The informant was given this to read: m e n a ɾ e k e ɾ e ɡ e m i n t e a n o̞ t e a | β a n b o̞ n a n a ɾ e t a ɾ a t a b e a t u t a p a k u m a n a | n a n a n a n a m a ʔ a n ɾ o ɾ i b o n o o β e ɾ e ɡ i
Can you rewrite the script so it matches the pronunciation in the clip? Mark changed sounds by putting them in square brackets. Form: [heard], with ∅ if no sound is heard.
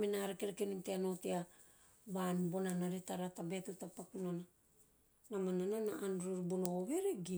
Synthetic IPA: m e n a ɾ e k e ɾ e [k] e [n] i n t e a n o̞ t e a | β a n b o̞ n a n a ɾ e t a ɾ a t a b e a t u t a p a k u [n] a n a | n a [m] a n a n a [n] a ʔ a n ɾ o ɾ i b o n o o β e ɾ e ɡ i